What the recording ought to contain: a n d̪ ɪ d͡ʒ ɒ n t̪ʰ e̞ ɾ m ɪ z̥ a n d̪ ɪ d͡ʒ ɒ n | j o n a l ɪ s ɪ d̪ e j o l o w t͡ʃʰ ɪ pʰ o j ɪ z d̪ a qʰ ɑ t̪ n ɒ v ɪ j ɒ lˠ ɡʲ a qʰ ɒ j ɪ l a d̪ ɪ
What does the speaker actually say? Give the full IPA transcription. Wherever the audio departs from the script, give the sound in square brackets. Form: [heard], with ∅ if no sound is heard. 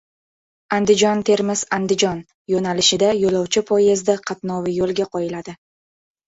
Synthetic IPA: a n d̪ ɪ d͡ʒ ɒ n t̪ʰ e̞ ɾ m ɪ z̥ a n d̪ ɪ d͡ʒ ɒ n | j o n a l ɪ [ʃ] ɪ d̪ [a] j o l [ɒ] w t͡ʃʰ ɪ pʰ [ɒ] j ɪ z d̪ a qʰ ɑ t̪ n ɒ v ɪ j [o] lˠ ɡʲ a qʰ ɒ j ɪ l a d̪ ɪ